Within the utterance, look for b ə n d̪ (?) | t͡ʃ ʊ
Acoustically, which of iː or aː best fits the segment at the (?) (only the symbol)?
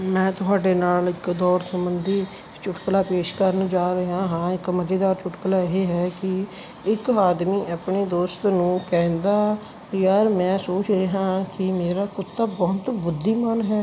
iː